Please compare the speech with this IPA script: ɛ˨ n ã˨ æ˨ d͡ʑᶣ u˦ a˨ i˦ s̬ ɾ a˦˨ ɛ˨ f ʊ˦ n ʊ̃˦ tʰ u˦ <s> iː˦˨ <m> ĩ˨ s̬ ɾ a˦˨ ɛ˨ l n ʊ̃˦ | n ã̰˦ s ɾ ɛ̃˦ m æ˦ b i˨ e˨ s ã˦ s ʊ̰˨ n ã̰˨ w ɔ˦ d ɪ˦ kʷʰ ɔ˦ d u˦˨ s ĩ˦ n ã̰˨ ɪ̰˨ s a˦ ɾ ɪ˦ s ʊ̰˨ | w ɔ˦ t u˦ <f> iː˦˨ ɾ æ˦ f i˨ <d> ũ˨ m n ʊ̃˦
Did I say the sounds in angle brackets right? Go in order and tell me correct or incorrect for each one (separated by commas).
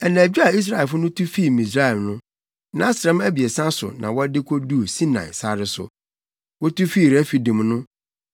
incorrect, correct, correct, correct